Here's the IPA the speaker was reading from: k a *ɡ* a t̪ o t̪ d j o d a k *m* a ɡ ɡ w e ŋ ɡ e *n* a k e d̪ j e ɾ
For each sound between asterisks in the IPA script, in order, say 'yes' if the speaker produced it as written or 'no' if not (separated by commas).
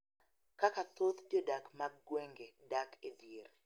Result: no, yes, no